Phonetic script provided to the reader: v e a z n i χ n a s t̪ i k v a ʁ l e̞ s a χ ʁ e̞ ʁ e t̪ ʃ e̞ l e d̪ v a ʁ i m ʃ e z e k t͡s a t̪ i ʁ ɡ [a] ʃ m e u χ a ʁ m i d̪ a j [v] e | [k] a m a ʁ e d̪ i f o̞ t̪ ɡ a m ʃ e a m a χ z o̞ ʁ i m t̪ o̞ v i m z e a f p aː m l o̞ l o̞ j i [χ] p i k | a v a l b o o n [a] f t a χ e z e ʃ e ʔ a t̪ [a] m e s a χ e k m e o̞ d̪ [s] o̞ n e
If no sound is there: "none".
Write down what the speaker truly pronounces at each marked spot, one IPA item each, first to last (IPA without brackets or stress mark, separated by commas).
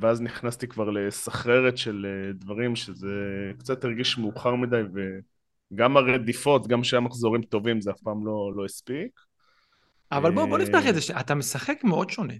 i, v, ɡ, s, i, a, ʃ